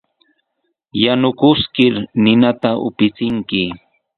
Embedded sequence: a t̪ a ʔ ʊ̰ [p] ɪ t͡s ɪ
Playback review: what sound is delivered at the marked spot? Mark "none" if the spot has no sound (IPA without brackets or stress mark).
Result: p